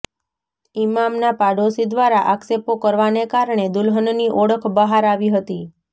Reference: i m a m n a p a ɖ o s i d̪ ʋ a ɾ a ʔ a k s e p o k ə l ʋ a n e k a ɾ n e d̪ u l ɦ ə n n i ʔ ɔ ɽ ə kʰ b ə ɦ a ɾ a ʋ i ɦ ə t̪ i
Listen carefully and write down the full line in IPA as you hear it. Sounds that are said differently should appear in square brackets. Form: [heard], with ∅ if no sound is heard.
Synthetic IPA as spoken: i m a m n a p a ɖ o s i d̪ ʋ a ɾ a ʔ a k s e p o k ə [ɾ] ʋ a n e k a ɾ [ɳ] e d̪ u l ɦ ə n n i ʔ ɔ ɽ ə kʰ b ə ɦ a ɾ a ʋ i ɦ ə t̪ i